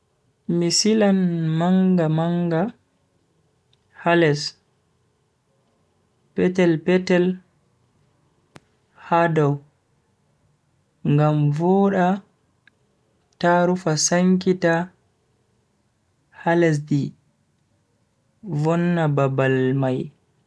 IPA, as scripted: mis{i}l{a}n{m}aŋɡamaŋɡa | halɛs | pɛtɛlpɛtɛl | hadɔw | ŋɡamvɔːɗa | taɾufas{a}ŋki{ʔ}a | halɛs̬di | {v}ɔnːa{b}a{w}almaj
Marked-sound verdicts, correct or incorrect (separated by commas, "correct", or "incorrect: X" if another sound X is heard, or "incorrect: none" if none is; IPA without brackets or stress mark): correct, correct, correct, correct, incorrect: t, correct, correct, incorrect: b